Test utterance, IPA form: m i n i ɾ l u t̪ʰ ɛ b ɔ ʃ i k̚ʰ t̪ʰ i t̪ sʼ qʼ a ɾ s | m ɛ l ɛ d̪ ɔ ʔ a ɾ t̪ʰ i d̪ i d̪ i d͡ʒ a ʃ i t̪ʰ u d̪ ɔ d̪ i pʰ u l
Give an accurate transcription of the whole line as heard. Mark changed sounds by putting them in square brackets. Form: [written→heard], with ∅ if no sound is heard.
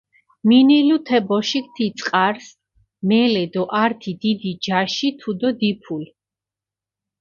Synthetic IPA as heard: m i n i [ɾ→∅] l u t̪ʰ ɛ b ɔ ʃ i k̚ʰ t̪ʰ i t̪ sʼ qʼ a ɾ s | m ɛ l ɛ d̪ ɔ ʔ a ɾ t̪ʰ i d̪ i d̪ i d͡ʒ a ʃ i t̪ʰ u d̪ ɔ d̪ i pʰ u l